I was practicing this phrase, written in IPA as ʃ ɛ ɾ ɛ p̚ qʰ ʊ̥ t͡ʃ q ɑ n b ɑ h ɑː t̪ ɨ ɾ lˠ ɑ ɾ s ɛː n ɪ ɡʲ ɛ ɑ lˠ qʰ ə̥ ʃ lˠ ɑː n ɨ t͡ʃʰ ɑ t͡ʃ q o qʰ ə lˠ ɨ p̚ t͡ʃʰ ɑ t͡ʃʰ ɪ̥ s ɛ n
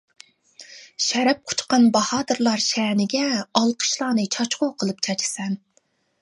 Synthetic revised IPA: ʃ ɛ ɾ ɛ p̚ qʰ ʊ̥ t͡ʃ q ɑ n b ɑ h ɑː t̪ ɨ ɾ lˠ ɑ ɾ ʃ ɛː n ɪ ɡʲ ɛ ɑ lˠ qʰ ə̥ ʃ lˠ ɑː n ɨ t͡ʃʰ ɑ t͡ʃ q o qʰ ə lˠ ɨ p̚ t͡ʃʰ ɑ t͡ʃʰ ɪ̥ s ɛ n